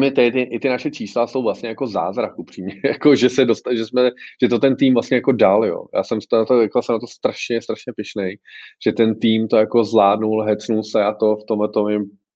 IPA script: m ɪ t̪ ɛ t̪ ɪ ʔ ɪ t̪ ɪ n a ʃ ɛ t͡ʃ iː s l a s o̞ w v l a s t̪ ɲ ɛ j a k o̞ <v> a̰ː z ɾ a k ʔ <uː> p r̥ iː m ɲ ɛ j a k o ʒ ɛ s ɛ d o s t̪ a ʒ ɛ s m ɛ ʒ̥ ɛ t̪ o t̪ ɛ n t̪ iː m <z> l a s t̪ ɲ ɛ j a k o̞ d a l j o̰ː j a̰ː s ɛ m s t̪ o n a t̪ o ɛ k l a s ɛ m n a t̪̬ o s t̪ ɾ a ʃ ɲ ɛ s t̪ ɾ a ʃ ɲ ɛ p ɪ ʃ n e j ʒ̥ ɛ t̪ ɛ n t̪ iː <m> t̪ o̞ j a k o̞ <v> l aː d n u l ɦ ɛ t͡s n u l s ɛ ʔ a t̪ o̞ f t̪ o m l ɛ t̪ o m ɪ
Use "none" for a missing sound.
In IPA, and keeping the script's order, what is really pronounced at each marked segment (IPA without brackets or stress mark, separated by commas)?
z, u, v, m, z